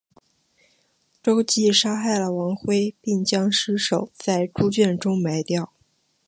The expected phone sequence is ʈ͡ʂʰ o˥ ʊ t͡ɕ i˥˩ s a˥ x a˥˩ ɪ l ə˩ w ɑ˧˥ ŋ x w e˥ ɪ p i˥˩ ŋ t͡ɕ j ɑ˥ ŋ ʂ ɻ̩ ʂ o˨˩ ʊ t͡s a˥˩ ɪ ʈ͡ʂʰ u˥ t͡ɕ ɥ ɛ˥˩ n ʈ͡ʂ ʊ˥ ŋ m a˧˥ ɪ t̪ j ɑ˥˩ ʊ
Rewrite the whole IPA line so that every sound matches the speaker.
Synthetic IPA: ʈ͡ʂ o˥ ʊ t͡ɕ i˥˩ ʂ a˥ x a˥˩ ɪ l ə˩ w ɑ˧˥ ŋ x w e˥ ɪ p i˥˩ ŋ t͡ɕ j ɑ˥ ŋ ʂ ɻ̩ ʂ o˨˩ ʊ t͡s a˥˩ ɪ ʈ͡ʂ u˥ t͡ɕ ɥ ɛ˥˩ n ʈ͡ʂ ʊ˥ ŋ m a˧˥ ɪ t̪ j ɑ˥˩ ʊ